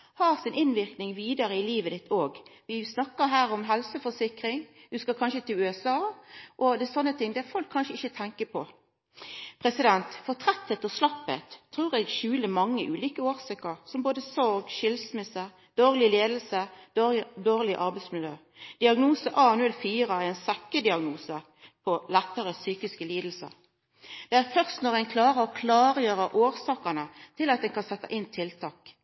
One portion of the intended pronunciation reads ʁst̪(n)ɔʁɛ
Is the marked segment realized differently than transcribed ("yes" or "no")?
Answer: no